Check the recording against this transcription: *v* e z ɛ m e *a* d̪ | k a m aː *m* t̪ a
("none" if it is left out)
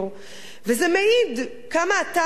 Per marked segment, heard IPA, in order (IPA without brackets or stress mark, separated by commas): v, i, none